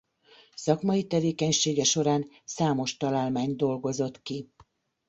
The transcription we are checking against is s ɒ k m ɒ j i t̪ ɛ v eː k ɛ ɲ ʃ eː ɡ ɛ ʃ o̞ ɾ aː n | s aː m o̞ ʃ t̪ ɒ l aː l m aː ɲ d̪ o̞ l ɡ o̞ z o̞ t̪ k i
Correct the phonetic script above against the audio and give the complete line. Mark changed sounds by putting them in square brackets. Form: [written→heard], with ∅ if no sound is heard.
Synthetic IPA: s ɒ k m ɒ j i t̪ ɛ v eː k ɛ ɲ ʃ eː ɡ ɛ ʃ o̞ ɾ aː n | s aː m o̞ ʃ t̪ ɒ l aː l m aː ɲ d̪ o̞ l ɡ o̞ z o̞ t̪ k i